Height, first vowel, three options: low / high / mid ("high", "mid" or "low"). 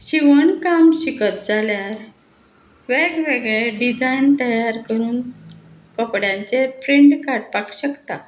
high